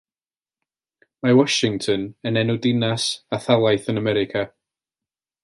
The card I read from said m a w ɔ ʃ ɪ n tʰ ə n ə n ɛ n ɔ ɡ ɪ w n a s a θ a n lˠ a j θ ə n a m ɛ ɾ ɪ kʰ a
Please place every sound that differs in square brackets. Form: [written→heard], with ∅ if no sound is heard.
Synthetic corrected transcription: m a w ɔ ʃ ɪ [n→ŋ] tʰ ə n ə n ɛ n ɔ [ɡ→d] ɪ [w→∅] n a s a θ a [n→∅] lˠ a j θ ə n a m ɛ ɾ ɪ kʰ a